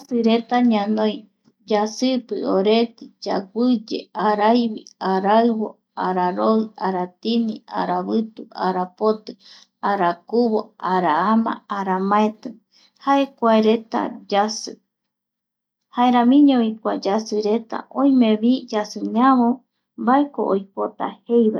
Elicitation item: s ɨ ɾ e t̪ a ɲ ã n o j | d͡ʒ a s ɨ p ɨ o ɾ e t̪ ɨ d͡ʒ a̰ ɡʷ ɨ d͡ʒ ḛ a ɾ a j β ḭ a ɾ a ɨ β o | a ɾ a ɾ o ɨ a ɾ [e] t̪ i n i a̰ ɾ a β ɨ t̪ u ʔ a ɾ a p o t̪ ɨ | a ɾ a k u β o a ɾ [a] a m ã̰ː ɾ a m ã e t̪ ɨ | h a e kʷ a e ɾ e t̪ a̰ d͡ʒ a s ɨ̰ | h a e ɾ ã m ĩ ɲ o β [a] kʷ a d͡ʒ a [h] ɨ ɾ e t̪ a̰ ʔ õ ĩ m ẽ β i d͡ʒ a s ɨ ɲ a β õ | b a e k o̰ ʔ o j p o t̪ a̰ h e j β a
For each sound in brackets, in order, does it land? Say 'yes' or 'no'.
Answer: no, yes, no, no

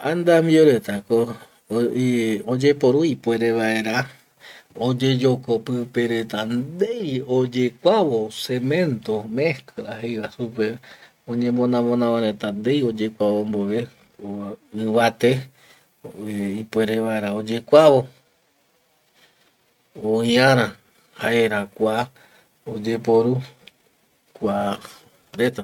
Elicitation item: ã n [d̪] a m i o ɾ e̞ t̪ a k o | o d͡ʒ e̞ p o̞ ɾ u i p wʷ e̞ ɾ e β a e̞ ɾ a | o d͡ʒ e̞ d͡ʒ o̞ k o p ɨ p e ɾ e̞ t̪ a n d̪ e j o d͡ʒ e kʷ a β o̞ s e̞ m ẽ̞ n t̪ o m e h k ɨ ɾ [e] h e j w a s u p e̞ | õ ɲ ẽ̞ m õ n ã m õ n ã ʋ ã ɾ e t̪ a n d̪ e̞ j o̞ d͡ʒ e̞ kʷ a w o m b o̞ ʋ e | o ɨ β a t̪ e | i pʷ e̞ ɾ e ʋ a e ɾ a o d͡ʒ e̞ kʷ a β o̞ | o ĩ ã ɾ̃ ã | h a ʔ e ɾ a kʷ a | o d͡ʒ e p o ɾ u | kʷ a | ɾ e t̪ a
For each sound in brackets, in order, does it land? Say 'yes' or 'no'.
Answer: yes, no

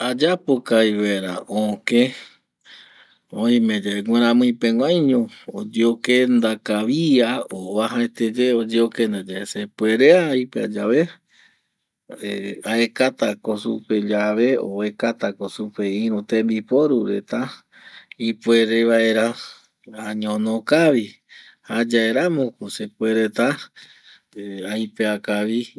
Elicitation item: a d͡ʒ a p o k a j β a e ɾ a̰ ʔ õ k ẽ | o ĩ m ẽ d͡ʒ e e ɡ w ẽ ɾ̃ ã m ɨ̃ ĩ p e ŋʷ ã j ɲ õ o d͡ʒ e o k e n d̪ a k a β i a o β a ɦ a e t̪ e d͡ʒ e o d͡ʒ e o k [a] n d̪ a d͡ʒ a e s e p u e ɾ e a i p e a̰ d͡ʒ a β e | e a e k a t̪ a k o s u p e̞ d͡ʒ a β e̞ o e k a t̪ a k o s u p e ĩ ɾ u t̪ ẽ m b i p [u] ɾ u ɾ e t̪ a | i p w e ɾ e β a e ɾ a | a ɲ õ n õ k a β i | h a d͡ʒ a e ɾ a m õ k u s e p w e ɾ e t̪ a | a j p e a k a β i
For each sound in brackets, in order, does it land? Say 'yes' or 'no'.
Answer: no, no

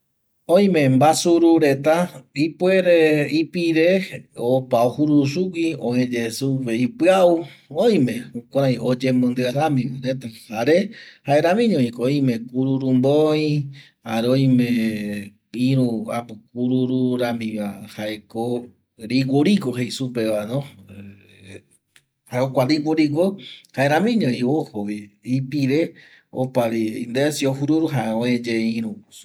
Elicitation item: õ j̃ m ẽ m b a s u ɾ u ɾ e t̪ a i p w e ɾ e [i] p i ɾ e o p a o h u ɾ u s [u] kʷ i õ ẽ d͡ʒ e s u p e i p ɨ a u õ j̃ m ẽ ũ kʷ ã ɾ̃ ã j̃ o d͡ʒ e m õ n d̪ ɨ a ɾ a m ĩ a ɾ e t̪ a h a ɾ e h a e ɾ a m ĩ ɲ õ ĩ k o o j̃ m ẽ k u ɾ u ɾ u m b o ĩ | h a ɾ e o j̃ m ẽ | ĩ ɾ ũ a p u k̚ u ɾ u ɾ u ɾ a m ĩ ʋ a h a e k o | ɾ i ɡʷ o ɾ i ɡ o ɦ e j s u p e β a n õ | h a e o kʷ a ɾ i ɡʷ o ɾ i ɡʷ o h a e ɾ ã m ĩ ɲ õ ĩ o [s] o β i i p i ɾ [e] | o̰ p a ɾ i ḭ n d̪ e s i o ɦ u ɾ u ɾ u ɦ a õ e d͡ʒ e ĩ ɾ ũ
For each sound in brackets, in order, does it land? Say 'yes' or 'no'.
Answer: yes, yes, no, yes

